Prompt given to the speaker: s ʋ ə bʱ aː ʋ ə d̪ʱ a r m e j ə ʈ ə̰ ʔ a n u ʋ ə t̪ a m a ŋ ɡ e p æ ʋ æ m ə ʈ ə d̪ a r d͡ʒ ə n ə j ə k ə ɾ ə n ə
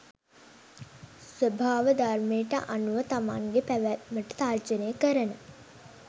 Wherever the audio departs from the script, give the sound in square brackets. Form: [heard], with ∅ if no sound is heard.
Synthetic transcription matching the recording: s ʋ ə bʱ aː ʋ ə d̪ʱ a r m e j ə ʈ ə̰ ʔ a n u ʋ ə t̪ a m a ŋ ɡ e p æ ʋ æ m ə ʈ ə [t̪] a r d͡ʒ ə n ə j ə k ə ɾ ə n ə